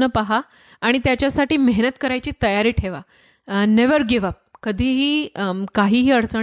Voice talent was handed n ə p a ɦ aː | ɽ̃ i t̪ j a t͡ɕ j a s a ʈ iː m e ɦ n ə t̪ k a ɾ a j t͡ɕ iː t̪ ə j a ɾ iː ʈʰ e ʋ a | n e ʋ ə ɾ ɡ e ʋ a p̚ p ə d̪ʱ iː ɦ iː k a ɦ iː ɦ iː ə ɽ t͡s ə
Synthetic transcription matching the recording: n ə p a ɦ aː | ɽ̃ i t̪ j a t͡ɕ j a s a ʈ iː m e ɦ n ə t̪ k ə ɾ a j t͡ɕ iː t̪ ə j a ɾ iː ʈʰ e ʋ a | n e ʋ ə ɾ ɡ e ʋ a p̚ k ə d̪ʱ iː ɦ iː k a ɦ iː ɦ iː ə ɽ t͡s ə